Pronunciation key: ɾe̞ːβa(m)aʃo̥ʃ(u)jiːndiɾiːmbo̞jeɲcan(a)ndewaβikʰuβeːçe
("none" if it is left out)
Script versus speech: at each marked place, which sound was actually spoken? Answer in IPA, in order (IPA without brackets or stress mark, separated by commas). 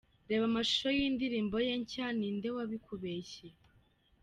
m, o, i